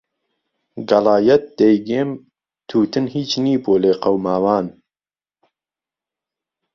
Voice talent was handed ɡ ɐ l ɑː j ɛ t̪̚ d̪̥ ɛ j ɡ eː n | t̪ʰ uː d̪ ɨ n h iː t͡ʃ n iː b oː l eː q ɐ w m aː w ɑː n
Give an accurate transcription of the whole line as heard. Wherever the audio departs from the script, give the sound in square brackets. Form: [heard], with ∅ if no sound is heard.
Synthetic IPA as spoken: ɡ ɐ l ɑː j ɛ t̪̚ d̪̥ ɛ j ɡ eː [m] | t̪ʰ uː [t̪] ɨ n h iː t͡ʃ n iː b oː l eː q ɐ w m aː w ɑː n